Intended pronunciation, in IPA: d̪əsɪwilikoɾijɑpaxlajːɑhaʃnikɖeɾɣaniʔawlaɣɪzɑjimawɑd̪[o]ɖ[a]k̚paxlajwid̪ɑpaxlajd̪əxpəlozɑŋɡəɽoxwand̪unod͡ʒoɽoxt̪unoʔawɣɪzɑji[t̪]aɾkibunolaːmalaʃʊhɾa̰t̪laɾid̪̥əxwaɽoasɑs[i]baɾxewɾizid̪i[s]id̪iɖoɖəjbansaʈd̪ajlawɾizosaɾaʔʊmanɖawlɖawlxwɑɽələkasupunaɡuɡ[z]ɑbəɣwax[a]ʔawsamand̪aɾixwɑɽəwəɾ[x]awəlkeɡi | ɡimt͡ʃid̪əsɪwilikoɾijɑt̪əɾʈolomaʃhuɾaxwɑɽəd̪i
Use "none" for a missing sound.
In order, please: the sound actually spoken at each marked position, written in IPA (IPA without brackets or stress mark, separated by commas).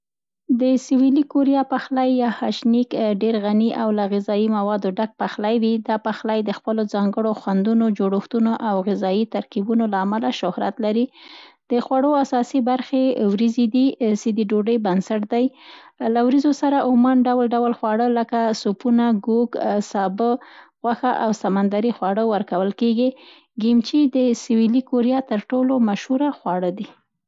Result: o, a, t̪, i, s, s, a, k